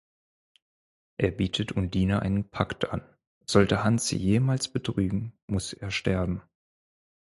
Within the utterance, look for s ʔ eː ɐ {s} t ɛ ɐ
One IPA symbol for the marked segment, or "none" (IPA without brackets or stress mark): ʃ